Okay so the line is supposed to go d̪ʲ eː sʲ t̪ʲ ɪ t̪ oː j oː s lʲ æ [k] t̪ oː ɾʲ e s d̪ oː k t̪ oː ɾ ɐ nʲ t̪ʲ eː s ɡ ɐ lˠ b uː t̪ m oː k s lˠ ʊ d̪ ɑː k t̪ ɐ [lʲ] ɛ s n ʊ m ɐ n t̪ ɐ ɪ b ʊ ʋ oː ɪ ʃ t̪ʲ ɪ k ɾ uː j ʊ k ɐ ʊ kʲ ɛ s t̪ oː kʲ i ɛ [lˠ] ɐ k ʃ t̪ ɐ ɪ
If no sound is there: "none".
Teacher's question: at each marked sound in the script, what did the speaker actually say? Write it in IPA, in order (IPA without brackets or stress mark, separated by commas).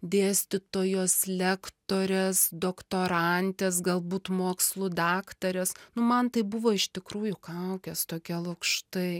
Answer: k, ɾʲ, lˠ